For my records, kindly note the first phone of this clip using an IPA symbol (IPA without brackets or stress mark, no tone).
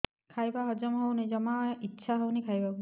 kʰ